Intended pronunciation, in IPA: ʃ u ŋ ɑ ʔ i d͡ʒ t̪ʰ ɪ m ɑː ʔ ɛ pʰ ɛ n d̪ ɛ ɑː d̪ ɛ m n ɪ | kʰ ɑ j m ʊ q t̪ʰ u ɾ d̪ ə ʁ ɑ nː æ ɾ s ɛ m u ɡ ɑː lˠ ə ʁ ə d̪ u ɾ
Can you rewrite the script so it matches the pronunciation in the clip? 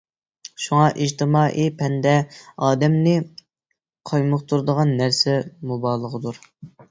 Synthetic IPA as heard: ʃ u ŋ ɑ ʔ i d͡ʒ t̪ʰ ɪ m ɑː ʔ i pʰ ɛ n d̪ ɛ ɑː d̪ ɛ m n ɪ | qʰ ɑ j m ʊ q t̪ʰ u ɾ d̪ ə ʁ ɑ nː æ ɾ s ɛ m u b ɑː lˠ ə ʁ ə d̪ u ɾ